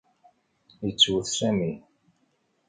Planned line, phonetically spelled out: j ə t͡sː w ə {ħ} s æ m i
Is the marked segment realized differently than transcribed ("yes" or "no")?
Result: yes